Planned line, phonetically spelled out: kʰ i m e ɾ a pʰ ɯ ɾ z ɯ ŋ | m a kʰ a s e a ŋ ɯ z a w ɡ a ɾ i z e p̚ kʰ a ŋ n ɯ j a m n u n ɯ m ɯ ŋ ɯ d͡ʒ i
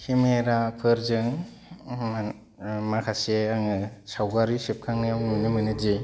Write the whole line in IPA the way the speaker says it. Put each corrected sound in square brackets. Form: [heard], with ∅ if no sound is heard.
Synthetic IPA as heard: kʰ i m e ɾ a pʰ ɯ ɾ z ɯ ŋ | m a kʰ a s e a ŋ ɯ [s] a w ɡ a ɾ i [s] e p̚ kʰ a ŋ n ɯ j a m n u n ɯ m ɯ [n] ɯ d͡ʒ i